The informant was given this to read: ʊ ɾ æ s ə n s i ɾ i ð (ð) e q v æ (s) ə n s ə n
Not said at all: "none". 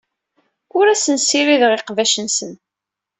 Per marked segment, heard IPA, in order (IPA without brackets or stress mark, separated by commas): ʁ, ʃ